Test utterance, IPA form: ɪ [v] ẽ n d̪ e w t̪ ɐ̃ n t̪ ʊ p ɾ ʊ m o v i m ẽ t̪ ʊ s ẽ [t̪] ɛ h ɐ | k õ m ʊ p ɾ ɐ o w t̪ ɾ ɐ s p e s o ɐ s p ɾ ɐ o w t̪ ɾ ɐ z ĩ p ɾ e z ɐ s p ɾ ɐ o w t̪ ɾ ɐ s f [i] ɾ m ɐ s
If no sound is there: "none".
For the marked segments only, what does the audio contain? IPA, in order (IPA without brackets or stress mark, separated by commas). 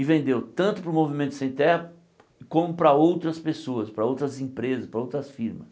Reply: v, t̪, i